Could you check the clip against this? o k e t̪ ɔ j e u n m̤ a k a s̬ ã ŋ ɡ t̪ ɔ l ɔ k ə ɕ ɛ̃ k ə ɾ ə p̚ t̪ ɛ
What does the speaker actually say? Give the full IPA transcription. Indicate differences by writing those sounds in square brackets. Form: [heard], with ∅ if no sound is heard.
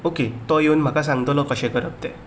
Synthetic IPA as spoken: o k e t̪ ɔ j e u n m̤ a k a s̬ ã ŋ ɡ t̪ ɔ l ɔ k ə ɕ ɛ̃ k ə ɾ ə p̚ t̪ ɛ